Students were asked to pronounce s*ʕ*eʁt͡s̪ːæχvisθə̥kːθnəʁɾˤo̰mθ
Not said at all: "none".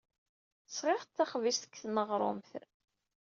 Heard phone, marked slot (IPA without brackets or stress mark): ʁ